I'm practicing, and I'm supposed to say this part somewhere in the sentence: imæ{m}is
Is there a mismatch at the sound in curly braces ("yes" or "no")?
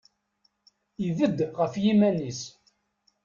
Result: yes